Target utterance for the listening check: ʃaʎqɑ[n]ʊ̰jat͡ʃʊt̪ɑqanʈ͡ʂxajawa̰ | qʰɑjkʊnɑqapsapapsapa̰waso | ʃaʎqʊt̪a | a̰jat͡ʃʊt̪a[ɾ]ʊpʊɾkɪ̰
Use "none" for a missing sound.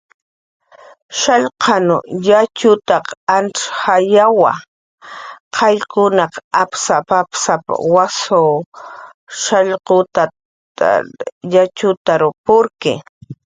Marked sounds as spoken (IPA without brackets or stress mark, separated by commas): n, ɾ